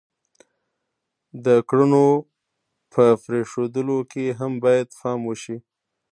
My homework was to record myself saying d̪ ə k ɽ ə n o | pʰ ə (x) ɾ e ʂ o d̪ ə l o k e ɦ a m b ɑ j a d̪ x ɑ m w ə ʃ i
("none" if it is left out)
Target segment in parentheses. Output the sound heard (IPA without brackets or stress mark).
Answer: f